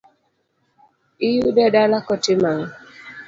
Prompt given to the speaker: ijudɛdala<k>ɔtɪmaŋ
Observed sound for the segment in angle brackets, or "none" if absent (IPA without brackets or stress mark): k